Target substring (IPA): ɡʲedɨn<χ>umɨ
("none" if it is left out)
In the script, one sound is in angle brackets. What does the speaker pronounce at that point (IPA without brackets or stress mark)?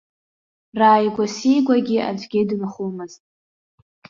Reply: χ